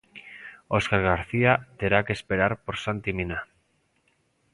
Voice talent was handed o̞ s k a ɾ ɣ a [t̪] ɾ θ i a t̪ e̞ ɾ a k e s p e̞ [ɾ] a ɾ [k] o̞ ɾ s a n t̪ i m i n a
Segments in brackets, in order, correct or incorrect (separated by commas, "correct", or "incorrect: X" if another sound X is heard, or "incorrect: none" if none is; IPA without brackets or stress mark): incorrect: none, correct, incorrect: p